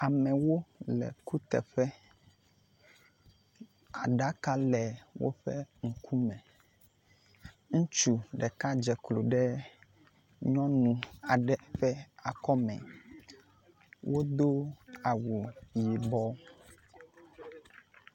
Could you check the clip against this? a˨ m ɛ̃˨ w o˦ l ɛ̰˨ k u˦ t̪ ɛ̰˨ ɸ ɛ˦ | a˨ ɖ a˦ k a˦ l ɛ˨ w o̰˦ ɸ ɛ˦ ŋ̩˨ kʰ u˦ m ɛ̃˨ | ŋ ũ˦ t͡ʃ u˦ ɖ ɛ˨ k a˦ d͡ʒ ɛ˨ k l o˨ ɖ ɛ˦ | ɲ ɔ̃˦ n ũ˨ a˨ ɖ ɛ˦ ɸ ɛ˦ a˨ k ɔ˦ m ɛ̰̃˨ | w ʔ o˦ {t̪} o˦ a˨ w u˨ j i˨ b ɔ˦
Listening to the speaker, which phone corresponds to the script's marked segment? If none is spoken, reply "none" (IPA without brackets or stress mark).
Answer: d̪